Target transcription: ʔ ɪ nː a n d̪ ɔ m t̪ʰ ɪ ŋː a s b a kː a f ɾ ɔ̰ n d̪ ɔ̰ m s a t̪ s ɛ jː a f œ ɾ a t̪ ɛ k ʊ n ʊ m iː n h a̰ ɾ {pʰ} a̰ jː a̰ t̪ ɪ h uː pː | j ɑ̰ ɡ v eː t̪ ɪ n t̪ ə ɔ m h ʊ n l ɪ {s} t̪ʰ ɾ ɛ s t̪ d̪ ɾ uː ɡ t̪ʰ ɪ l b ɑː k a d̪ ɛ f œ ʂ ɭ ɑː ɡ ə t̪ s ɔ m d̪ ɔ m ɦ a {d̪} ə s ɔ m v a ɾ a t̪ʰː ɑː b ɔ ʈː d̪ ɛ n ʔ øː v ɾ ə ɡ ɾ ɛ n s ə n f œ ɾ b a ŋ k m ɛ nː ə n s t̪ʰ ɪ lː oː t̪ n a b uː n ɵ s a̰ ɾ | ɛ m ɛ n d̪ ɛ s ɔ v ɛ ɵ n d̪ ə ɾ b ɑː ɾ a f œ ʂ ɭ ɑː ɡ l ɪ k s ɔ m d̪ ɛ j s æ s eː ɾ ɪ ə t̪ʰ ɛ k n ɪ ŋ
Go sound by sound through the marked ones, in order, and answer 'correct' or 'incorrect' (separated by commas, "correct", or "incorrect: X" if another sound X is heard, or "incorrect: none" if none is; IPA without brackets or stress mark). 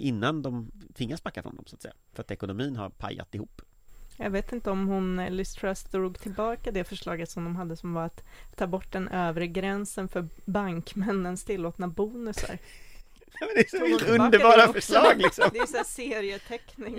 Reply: correct, correct, incorrect: d̪ː